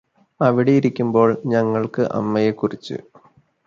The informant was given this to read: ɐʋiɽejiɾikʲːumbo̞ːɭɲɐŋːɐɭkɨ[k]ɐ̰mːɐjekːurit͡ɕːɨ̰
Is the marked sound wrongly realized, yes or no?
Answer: yes